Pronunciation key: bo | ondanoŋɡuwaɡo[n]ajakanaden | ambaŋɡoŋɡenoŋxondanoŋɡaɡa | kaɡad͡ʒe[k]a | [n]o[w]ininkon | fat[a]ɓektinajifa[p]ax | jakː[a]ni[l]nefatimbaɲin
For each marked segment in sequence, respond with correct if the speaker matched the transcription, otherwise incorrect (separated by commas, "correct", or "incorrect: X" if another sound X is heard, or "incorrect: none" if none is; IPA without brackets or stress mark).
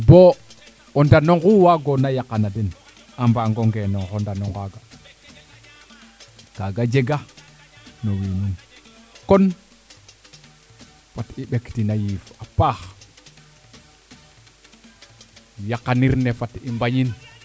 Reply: correct, incorrect: ɡ, correct, correct, incorrect: i, correct, correct, incorrect: ɾ